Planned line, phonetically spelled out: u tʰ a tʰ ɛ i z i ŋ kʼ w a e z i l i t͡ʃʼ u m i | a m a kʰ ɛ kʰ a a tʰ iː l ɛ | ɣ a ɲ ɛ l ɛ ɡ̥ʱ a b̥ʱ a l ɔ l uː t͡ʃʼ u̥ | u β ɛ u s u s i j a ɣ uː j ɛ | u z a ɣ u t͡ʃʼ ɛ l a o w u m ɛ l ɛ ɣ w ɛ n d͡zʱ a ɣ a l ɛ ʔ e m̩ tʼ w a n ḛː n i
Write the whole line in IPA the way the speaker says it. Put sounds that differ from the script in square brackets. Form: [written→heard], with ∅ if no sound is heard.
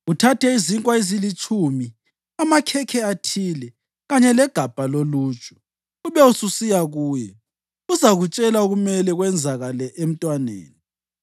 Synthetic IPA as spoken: u tʰ a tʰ ɛ i z i ŋ kʼ w a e z i l i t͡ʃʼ u m i | a m a kʰ ɛ kʰ [a→ɛ] a tʰ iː l ɛ | ɣ a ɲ ɛ l ɛ ɡ̥ʱ a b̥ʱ a l [ɔ→o] l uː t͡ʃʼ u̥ | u β ɛ u s u s i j a ɣ uː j ɛ | u z a ɣ u t͡ʃʼ ɛ l a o [w→ɣ] u m ɛ l ɛ ɣ w ɛ n d͡zʱ a ɣ a l ɛ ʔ e m̩ tʼ w a n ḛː n i

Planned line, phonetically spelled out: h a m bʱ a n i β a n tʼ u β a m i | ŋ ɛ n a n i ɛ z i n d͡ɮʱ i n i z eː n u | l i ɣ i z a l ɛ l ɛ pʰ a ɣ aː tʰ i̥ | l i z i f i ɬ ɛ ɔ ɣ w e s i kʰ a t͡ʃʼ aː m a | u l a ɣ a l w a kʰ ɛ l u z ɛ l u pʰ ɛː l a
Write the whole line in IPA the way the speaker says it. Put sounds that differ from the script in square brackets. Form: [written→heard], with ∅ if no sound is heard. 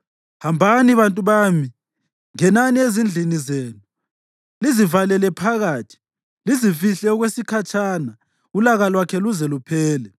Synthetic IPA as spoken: h a m bʱ a n i β a n tʼ u β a m i | ŋ ɛ n a n i [ɛ→e] z i n d͡ɮʱ i n i z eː n u | l i [ɣ→z] i [z→v] a l ɛ l ɛ pʰ a ɣ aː tʰ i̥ | l i z i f i ɬ ɛ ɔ ɣ w e s i kʰ a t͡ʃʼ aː [m→n] a | u l a ɣ a l w a kʰ ɛ l u z ɛ l u pʰ ɛː l [a→ɛ]

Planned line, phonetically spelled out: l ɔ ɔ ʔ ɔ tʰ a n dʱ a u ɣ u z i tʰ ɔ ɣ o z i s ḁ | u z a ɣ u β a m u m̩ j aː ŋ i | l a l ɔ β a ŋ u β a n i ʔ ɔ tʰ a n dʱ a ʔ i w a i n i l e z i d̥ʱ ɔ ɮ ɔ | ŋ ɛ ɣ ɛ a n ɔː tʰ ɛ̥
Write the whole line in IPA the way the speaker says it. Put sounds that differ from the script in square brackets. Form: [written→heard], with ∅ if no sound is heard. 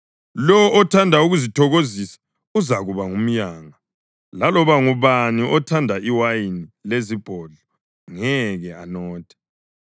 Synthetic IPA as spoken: l ɔ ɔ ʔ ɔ tʰ a n dʱ a u ɣ u z i tʰ ɔ ɣ o z i s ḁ | u z a ɣ u β a [m→ŋ] u m̩ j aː ŋ [i→a] | l a l ɔ β a ŋ u β a n i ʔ ɔ tʰ a n dʱ a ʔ i w a i n i l e z i [d̥ʱ→b̥ʱ] ɔ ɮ ɔ | ŋ ɛ ɣ ɛ a n ɔː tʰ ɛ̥

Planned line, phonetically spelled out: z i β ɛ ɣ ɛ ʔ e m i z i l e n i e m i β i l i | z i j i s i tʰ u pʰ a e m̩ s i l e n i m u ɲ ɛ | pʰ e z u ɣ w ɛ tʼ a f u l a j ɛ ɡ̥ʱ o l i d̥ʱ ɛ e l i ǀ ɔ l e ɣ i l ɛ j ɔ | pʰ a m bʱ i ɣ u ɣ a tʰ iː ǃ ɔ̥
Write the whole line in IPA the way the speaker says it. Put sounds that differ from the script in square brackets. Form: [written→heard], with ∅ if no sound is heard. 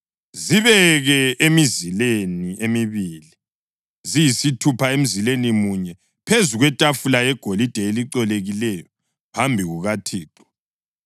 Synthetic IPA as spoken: z i β ɛ ɣ ɛ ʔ e m i z i l e n i e m i β i l i | z i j i s i tʰ u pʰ a e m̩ [s→z] i l e n i m u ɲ ɛ | pʰ e z u ɣ w ɛ tʼ a f u l a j ɛ ɡ̥ʱ o l i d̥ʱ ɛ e l i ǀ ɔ l e ɣ i l ɛ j ɔ | pʰ a m bʱ i ɣ u ɣ a tʰ iː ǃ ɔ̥

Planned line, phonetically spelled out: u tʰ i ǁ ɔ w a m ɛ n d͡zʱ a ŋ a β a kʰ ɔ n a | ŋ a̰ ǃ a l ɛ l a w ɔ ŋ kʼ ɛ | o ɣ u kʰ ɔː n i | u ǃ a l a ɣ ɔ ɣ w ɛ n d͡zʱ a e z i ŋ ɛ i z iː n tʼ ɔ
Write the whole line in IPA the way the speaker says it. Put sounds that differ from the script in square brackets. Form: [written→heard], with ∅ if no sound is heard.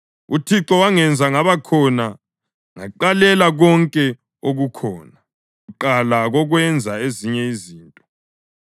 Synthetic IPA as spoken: u tʰ i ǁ ɔ w a [m→ŋ] ɛ n d͡zʱ a ŋ a β a kʰ ɔ n a | ŋ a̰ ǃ a l ɛ l a [w→ɣ] ɔ ŋ kʼ ɛ | o ɣ u kʰ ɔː n [i→a] | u ǃ a l a ɣ ɔ ɣ w ɛ n d͡zʱ a e z i [ŋ→ɲ] ɛ i z iː n tʼ ɔ

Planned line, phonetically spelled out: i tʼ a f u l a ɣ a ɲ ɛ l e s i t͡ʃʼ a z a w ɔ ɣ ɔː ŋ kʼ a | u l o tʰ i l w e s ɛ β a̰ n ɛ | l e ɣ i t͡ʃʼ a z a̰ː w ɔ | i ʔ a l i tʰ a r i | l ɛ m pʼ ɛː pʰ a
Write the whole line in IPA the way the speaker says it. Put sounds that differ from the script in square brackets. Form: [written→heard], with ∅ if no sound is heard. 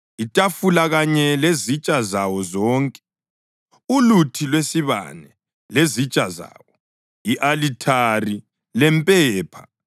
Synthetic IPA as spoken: i tʼ a f u l a ɣ a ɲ ɛ l e [s→z] i t͡ʃʼ a z a w ɔ [ɣ→z] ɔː ŋ kʼ [a→ɛ] | u l [o→u] tʰ i l w e s [ɛ→i] β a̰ n ɛ | l e [ɣ→z] i t͡ʃʼ a z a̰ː w ɔ | i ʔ a l i tʰ a r i | l ɛ m pʼ ɛː pʰ a

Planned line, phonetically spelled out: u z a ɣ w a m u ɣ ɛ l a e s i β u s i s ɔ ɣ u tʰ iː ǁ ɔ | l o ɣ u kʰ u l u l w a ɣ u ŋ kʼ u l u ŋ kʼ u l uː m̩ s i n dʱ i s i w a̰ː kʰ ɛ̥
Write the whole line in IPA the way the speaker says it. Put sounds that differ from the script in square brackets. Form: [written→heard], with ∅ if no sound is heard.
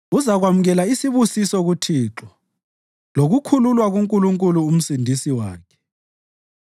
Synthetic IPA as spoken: u z a ɣ w a m u ɣ ɛ l a [e→i] s i β u s i s ɔ ɣ u tʰ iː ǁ ɔ | l o ɣ u kʰ u l u l w a ɣ u ŋ kʼ u l u ŋ kʼ u l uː m̩ s i n dʱ i s i w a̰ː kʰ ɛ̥

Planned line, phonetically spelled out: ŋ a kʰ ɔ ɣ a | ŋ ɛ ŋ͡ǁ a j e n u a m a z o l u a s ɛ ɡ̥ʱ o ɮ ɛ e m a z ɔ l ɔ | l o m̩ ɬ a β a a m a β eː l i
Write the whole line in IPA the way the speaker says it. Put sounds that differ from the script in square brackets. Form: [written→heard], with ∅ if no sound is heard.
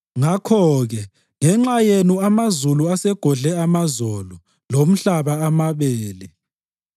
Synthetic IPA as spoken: ŋ a kʰ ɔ ɣ [a→ɛ] | ŋ ɛ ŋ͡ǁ a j e n u a m a z [o→u] l u a s ɛ ɡ̥ʱ [o→ɔ] ɮ ɛ [e→a] m a z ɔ l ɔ | l o m̩ ɬ a β a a m a β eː l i

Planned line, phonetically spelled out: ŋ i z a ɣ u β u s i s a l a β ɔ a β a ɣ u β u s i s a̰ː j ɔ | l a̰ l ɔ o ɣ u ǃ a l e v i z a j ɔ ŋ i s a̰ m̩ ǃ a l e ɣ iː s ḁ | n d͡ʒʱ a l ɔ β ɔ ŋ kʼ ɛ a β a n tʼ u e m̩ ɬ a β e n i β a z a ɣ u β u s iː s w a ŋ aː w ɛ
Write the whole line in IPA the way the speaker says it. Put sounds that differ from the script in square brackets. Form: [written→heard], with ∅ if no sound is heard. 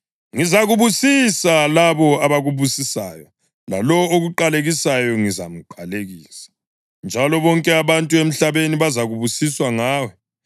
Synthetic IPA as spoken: ŋ i z a ɣ u β u s i s a l a β ɔ a β a ɣ u β u s i s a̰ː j ɔ | l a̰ l ɔ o ɣ u ǃ a l e [v→ɣ] i [z→s] a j ɔ ŋ i [s→z] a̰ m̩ ǃ a l e ɣ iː s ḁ | n d͡ʒʱ a l ɔ β ɔ ŋ kʼ ɛ a β a n tʼ u e m̩ ɬ a β e n i β a z a ɣ u β u s [iː→i] s w a ŋ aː w ɛ

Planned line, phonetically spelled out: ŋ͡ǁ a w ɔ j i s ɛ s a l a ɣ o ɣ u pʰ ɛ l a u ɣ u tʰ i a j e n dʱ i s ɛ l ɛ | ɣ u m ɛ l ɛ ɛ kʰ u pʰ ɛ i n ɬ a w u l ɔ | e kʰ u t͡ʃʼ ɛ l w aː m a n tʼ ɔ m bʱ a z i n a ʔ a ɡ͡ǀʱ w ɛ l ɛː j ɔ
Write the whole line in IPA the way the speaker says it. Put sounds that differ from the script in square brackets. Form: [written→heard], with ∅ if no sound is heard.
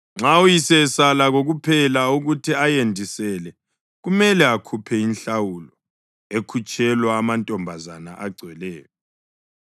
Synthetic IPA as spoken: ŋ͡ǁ a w [ɔ→u] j i s ɛ s a l a ɣ o ɣ u pʰ ɛ l a u ɣ u tʰ i a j e n dʱ i s ɛ l ɛ | ɣ u m ɛ l ɛ [ɛ→a] kʰ u pʰ ɛ i n ɬ a w u l ɔ | e kʰ u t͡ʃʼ ɛ l w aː m a n tʼ ɔ m bʱ a z [i→a] n a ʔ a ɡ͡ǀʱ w ɛ l ɛː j ɔ

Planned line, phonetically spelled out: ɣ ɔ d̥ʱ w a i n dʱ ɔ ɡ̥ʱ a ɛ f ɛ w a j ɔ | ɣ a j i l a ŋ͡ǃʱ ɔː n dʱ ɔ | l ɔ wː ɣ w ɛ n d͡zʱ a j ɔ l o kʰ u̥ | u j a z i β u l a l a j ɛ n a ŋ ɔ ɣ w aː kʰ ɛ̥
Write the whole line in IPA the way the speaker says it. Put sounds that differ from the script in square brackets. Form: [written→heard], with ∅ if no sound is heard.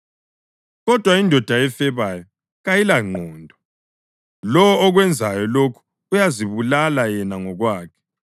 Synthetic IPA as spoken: ɣ ɔ d̥ʱ w a i n dʱ ɔ [ɡ̥ʱ→d̥ʱ] a ɛ f ɛ [w→β] a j ɔ | ɣ a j i l a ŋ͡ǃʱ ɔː n dʱ ɔ | l ɔ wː ɣ w ɛ n d͡zʱ a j ɔ l o kʰ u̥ | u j a z i β u l a l a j ɛ n a ŋ ɔ ɣ w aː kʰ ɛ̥

